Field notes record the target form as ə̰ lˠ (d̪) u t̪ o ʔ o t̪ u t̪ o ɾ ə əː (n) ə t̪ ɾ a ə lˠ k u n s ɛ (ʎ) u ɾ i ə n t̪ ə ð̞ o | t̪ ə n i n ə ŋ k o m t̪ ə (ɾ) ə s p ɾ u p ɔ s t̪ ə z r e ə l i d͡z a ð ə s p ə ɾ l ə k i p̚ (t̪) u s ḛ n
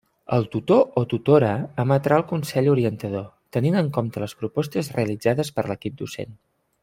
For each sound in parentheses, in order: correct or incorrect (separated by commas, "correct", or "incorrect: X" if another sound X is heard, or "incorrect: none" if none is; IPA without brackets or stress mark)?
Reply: incorrect: t̪, incorrect: m, correct, incorrect: l, incorrect: d̪